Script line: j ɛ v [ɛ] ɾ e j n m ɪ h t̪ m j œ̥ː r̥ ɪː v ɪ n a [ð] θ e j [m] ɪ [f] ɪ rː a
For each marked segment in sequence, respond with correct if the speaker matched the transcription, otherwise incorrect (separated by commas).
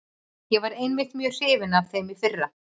incorrect, incorrect, correct, correct